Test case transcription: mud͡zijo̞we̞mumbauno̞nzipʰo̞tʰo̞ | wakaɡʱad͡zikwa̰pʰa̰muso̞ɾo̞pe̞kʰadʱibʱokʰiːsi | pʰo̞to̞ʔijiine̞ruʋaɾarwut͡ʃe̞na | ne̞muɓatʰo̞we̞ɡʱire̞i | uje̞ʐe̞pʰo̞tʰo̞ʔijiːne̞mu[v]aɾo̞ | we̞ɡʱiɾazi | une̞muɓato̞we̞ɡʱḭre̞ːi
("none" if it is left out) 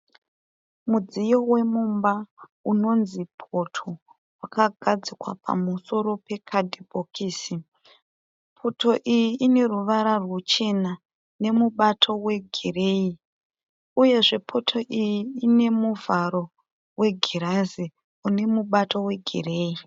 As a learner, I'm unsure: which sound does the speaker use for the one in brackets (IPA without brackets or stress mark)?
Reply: v